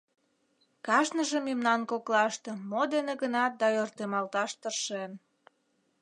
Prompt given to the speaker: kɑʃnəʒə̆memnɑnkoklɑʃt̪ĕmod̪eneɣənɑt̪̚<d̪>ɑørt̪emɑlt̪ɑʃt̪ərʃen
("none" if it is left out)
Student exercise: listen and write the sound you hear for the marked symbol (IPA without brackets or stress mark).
d̪